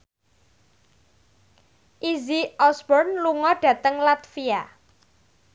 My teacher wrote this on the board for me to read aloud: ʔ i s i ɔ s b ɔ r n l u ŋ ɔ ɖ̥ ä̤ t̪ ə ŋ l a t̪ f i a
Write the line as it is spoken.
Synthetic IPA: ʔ i z i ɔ s b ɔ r n l u ŋ ɔ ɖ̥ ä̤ t̪ ə ŋ l a t̪ f i a